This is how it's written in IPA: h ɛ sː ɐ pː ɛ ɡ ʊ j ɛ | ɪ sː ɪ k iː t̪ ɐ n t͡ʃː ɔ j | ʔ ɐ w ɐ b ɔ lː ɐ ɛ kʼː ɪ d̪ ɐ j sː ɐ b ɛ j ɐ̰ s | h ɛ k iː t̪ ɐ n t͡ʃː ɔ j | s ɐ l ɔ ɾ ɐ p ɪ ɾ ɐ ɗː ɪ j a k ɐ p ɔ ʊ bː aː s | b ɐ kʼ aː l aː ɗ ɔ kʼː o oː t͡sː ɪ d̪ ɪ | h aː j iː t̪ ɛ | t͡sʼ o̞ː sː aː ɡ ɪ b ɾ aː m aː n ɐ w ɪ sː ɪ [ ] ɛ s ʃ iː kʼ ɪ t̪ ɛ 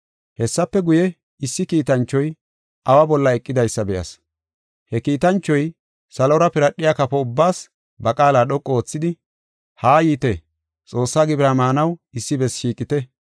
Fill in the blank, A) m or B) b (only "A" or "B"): B